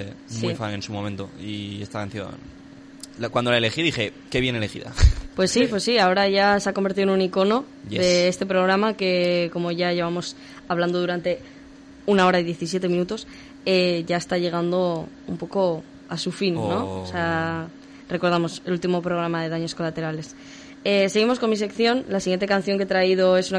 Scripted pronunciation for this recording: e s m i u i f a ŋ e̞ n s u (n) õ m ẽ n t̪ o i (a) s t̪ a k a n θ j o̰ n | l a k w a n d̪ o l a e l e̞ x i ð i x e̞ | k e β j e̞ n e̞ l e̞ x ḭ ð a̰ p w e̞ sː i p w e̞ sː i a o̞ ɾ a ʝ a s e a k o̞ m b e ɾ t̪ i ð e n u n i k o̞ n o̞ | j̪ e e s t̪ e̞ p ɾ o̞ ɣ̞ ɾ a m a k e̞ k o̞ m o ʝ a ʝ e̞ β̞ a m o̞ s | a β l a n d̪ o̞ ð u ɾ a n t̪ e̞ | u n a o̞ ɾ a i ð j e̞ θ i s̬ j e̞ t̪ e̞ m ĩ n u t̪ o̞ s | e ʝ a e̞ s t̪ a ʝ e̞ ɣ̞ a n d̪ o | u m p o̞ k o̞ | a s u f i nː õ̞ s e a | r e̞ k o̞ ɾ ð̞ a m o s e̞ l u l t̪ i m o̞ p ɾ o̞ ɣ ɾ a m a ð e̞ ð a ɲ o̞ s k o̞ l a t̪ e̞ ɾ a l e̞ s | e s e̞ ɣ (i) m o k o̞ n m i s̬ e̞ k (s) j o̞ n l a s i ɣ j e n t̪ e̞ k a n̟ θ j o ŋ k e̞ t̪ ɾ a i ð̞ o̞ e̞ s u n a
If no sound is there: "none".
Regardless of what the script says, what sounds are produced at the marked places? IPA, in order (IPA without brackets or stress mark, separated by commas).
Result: m, e, i, θ